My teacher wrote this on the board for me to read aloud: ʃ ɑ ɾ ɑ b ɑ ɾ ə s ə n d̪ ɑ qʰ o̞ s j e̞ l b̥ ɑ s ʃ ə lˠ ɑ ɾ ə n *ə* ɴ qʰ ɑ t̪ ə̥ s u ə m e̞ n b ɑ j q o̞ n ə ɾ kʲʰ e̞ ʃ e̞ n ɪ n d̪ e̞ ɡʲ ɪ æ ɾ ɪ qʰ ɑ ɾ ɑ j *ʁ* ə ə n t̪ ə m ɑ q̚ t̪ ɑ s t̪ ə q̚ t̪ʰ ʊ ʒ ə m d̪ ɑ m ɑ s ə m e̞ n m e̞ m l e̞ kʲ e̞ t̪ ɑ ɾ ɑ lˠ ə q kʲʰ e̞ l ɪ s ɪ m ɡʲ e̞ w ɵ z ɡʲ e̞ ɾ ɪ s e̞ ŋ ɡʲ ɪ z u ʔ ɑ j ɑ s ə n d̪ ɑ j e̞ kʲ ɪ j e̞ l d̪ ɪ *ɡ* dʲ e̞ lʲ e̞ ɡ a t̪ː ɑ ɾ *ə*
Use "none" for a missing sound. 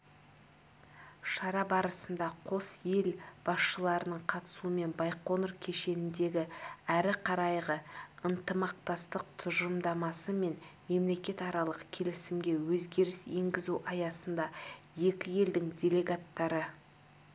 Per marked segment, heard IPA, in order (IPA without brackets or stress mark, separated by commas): ə, ʁ, ŋ, ə